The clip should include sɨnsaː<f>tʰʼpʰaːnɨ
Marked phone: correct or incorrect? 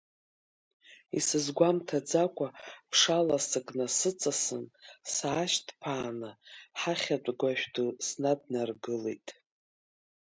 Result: incorrect